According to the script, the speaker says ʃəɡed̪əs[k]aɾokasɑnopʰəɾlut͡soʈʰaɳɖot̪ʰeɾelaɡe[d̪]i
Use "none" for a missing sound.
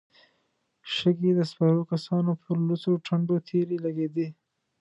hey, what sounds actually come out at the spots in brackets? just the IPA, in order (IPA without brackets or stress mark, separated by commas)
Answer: p, d̪